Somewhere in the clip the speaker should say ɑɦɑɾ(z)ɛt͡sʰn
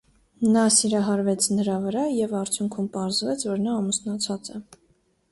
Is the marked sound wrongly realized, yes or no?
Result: yes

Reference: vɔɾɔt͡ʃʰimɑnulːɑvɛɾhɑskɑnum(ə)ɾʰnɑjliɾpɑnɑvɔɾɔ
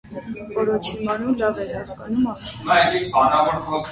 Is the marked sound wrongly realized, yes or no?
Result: yes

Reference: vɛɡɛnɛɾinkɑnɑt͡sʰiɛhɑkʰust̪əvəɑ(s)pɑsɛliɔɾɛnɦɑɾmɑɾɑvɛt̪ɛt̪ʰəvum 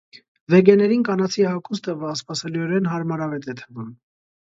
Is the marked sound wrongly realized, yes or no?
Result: no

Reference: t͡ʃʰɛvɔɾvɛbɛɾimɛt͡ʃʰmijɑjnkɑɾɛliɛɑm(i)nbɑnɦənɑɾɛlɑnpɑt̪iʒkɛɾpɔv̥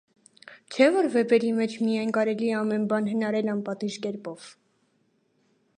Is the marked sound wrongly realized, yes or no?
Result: yes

